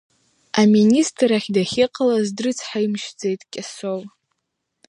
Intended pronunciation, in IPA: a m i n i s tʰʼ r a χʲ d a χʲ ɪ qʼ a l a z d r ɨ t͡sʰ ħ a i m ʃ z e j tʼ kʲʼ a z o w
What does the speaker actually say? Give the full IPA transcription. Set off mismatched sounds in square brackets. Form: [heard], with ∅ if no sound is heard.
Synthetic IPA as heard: a m i n i s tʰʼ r a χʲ d a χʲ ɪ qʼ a l a z d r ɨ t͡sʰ ħ a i m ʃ [d͡z] e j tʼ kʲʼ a [s] o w